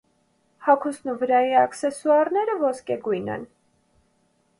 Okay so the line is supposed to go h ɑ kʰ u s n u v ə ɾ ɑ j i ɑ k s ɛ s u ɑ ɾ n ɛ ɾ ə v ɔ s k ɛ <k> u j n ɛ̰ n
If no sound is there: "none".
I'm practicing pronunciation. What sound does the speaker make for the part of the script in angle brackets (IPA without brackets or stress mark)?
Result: ɡ